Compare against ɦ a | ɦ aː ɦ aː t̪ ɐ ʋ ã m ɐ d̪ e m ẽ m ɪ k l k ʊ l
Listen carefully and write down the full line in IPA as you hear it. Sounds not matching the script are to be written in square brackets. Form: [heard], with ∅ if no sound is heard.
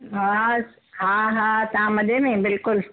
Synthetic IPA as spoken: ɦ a | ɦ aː ɦ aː t̪ ɐ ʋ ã m ɐ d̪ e m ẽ [b] ɪ [∅] l k ʊ l